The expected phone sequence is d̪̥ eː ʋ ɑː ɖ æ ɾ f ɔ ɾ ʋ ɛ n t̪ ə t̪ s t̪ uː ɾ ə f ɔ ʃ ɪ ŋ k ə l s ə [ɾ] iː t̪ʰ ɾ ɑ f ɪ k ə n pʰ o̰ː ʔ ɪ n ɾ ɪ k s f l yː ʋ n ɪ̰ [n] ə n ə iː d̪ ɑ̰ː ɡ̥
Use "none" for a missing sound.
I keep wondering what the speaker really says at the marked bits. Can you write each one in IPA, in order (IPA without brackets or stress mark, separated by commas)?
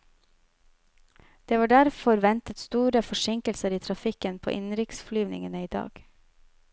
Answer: ɾ, ŋ